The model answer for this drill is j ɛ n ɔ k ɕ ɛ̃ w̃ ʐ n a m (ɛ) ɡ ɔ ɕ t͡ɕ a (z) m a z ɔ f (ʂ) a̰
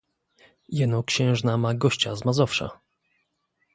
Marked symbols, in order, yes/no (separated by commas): no, yes, yes